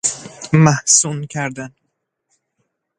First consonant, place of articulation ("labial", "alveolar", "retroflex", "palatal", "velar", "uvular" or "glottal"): labial